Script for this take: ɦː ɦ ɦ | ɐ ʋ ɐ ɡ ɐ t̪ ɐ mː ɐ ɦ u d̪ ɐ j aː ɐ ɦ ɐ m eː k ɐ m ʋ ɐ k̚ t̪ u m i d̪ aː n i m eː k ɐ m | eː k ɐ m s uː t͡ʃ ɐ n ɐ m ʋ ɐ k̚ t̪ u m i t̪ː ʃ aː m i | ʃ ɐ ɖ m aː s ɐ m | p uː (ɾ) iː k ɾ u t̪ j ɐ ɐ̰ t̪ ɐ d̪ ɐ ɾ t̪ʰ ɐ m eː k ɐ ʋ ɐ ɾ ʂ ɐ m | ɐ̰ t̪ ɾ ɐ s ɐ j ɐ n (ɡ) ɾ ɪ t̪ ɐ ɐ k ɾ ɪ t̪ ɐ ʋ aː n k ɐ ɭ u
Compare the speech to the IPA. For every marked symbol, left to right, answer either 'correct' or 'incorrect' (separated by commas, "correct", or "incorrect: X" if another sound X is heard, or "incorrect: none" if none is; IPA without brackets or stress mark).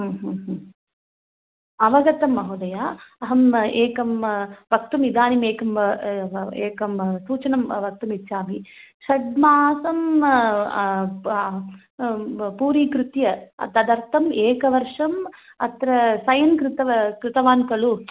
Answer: correct, incorrect: k